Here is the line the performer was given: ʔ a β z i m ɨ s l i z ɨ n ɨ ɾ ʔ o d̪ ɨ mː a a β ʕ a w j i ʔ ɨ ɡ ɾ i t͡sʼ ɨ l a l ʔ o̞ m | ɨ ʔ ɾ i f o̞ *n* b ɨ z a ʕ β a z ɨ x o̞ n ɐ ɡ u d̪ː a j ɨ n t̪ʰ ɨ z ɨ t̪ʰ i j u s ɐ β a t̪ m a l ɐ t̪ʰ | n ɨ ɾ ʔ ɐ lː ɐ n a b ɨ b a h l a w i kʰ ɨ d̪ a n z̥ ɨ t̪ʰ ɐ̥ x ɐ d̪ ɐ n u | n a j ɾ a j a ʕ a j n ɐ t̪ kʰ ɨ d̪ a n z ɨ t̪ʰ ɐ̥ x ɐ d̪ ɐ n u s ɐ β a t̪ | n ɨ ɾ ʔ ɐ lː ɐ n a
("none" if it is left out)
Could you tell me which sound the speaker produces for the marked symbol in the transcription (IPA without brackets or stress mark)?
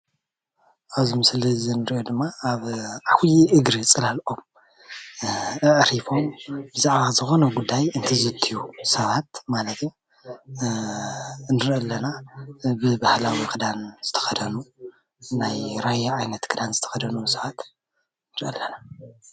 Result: m